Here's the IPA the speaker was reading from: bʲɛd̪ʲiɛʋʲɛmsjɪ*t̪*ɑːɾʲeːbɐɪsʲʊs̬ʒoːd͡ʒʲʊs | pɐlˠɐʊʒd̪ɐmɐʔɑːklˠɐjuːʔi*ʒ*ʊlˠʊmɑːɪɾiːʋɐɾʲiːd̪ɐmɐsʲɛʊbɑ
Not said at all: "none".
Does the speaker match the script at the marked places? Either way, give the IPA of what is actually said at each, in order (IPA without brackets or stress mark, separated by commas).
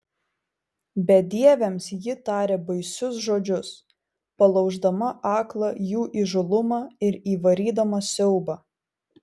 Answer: t̪, ʒ